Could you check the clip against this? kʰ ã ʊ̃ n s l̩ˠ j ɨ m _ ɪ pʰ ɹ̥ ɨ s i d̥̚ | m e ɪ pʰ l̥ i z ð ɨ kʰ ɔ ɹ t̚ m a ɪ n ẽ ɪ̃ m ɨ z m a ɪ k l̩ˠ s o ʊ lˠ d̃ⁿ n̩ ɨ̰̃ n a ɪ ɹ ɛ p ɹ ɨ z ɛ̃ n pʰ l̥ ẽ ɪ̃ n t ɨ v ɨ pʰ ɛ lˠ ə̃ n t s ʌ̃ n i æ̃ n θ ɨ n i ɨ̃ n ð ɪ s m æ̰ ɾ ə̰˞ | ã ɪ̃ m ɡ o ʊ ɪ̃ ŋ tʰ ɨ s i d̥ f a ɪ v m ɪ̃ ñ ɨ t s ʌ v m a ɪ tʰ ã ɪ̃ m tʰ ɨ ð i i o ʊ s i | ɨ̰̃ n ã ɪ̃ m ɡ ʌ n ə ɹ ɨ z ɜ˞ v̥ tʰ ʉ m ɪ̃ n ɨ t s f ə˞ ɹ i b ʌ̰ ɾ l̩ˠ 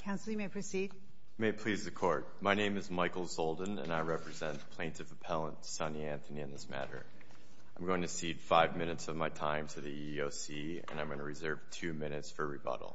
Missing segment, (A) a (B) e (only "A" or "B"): B